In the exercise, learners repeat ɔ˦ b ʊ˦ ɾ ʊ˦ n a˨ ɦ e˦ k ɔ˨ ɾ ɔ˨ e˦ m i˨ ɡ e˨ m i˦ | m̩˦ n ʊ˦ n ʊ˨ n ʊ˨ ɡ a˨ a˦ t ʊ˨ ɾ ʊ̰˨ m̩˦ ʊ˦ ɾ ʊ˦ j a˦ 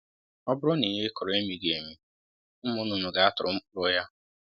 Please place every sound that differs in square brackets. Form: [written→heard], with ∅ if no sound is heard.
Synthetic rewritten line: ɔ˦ b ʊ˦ ɾ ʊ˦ n [a˨→i˨] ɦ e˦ k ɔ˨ ɾ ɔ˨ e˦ m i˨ ɡ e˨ m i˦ | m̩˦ [n→m] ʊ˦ n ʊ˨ n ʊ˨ ɡ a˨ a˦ t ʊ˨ ɾ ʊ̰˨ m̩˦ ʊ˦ ɾ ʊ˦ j a˦